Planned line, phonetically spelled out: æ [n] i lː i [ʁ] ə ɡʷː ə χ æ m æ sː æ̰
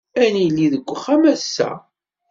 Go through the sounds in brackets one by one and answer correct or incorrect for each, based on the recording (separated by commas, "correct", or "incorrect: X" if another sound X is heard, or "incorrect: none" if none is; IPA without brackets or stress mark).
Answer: correct, incorrect: ð